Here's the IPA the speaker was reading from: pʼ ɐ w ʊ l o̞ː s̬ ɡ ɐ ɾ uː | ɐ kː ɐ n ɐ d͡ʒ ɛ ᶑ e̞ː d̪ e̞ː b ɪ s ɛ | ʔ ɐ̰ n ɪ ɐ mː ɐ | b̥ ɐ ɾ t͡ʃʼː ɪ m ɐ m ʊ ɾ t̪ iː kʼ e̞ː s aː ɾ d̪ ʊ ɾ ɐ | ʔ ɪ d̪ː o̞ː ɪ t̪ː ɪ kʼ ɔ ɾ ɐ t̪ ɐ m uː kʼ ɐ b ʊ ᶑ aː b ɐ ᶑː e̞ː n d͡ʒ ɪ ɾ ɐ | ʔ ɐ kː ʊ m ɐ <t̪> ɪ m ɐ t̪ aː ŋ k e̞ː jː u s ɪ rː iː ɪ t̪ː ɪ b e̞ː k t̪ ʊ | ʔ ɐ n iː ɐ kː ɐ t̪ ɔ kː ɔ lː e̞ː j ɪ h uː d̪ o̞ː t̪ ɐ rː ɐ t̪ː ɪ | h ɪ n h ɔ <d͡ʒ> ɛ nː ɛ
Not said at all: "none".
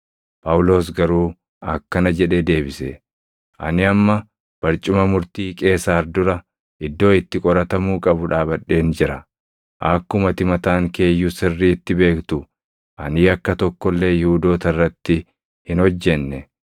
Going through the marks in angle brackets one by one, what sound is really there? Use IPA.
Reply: t̪, d͡ʒː

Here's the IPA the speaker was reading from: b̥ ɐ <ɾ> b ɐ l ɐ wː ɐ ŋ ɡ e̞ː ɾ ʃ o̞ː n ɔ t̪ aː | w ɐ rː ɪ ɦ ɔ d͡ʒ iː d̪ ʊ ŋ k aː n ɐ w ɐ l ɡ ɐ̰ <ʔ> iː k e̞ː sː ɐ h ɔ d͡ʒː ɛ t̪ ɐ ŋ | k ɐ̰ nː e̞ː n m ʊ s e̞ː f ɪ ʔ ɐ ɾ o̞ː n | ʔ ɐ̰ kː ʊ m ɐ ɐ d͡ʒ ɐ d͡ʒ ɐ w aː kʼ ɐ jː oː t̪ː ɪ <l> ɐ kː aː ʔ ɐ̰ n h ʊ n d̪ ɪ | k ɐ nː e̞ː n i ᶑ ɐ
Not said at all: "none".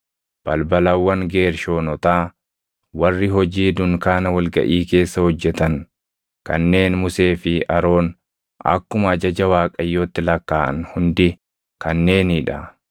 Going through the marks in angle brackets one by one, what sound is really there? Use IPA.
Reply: l, ʔ, l

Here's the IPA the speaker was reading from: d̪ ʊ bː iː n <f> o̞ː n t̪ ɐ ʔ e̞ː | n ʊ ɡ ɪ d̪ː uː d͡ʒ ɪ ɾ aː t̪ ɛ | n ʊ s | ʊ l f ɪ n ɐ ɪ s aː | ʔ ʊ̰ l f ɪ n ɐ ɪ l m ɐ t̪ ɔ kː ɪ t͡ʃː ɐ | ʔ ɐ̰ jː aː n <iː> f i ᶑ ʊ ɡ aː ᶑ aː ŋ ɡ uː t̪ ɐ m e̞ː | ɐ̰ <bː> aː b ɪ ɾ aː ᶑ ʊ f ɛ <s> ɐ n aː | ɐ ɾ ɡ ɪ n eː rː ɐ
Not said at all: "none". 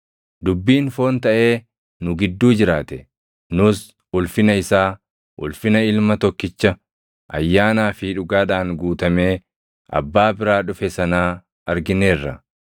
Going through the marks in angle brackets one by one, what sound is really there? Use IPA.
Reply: f, aː, bː, s

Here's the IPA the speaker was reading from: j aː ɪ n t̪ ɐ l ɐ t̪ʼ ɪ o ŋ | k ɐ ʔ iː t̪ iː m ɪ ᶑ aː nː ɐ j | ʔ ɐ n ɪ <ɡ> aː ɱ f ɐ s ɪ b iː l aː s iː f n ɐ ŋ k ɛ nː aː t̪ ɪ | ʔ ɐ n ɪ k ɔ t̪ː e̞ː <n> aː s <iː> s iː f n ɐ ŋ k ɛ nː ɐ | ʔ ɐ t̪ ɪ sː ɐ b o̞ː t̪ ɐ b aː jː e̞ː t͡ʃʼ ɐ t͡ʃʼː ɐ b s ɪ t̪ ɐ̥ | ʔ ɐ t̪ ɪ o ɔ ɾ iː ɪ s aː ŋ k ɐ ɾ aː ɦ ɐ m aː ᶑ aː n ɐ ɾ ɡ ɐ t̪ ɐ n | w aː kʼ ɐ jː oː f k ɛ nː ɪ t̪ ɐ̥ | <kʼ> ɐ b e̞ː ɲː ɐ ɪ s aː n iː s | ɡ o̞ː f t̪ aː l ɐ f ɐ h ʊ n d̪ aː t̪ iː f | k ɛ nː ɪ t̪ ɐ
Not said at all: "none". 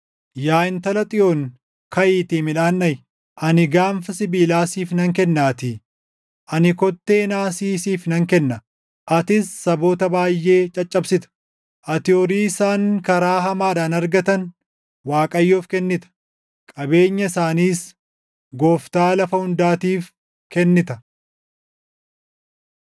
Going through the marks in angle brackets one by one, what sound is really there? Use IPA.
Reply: ɡ, n, iː, kʼ

